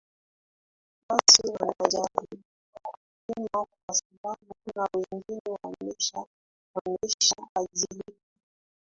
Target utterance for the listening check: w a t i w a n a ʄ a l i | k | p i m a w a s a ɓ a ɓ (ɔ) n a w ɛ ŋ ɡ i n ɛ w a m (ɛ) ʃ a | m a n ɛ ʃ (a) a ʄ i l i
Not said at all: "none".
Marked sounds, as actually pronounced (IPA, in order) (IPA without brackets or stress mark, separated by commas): u, ɛ, a